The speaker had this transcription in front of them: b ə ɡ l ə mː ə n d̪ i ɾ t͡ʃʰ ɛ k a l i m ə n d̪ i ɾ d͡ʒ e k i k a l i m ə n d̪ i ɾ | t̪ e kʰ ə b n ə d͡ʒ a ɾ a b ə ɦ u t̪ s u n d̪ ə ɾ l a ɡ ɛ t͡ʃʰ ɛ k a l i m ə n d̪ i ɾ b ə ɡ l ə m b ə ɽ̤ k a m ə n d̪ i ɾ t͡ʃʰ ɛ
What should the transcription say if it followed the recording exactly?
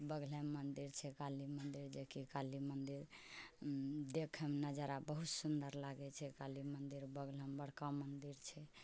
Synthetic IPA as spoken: b ə ɡ l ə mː ə n d̪ i ɾ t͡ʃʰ ɛ k a l i m ə n d̪ i ɾ d͡ʒ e k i k a l i m ə n d̪ i ɾ | d̪ e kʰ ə m n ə d͡ʒ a ɾ a b ə ɦ u t̪ s u n d̪ ə ɾ l a ɡ ɛ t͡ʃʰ ɛ k a l i m ə n d̪ i ɾ b ə ɡ l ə m b ə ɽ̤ k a m ə n d̪ i ɾ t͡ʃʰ ɛ